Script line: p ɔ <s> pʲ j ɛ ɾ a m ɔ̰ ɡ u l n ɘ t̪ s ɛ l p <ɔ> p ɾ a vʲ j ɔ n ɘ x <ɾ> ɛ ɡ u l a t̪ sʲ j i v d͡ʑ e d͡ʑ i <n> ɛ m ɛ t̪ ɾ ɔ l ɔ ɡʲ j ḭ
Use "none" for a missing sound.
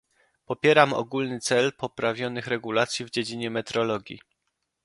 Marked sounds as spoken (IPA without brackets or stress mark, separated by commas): none, ɔ, ɾ, ɲ